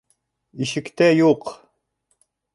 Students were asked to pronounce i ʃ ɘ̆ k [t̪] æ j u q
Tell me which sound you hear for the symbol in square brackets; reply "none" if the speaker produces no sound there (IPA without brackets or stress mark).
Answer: t̪